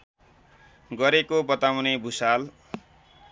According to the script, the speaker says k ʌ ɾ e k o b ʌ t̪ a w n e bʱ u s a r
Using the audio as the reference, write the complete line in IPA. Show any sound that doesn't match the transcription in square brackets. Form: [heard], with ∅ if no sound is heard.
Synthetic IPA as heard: [ɡ] ʌ ɾ e k o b ʌ t̪ a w n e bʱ u s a [l]